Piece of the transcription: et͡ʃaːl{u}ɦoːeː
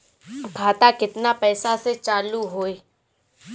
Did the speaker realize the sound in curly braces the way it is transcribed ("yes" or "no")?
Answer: yes